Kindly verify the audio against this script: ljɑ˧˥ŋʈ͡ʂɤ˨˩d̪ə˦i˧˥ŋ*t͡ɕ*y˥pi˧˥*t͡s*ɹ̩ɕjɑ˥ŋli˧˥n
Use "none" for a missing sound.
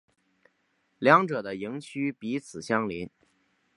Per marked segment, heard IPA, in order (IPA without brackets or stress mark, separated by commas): t͡ɕʰ, t͡sʰ